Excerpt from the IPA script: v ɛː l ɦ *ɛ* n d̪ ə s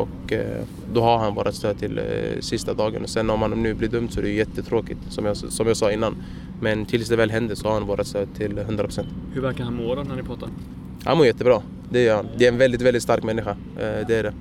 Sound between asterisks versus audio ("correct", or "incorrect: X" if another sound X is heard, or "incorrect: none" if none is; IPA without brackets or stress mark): correct